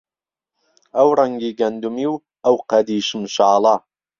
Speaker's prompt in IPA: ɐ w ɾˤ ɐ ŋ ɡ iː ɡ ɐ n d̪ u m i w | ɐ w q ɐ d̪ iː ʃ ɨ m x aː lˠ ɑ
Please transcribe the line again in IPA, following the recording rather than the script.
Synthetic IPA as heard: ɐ w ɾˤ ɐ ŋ ɡ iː ɡ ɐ n d̪ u m i w | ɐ w q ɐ d̪ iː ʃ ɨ m ʃ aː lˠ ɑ